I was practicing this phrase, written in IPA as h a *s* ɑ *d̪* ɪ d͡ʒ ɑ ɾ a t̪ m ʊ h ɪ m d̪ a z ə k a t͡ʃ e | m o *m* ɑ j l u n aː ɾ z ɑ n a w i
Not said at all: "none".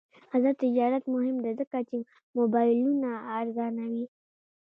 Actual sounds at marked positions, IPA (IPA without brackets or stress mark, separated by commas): z, t̪, b